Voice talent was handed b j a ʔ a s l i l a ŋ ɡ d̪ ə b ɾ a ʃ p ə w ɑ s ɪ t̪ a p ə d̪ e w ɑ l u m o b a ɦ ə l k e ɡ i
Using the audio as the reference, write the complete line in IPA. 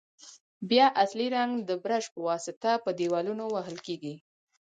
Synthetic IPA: b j ɑ ʔ a s l i ɾ a ŋ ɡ d̪ ə b ɾ a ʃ p ə w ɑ s ɪ t̪ a p ə d̪ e w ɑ l u n o w a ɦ ə l k e ɡ i